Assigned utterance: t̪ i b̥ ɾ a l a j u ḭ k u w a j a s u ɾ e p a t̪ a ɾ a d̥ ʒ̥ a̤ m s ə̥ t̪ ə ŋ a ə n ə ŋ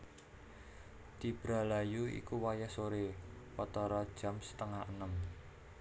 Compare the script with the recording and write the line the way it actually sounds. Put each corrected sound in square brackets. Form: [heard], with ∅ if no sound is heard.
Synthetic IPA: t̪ i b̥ ɾ a l a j u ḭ k u w a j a s [o] ɾ e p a t̪ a ɾ a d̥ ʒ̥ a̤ m s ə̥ t̪ ə ŋ a ə n ə [m]